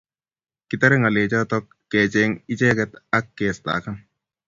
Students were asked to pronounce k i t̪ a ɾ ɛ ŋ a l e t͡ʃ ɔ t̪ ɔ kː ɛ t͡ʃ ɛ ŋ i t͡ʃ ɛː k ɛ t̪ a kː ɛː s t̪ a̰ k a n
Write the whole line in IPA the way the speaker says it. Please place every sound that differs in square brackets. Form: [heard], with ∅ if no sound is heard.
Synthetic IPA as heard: k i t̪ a ɾ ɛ ŋ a l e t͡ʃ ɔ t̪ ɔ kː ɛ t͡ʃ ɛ ŋ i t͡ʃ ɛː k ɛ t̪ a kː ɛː s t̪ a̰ k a n